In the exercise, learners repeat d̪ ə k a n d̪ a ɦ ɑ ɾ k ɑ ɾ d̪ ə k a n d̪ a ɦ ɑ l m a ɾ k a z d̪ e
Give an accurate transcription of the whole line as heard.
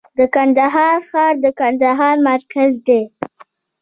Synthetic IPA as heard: d̪ ə k a n d̪ a ɦ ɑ ɾ x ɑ ɾ d̪ ə k a n d̪ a ɦ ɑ ɾ m a ɾ k a z d̪ e